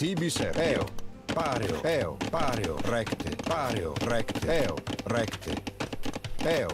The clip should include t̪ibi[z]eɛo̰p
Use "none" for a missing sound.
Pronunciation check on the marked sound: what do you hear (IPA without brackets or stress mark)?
s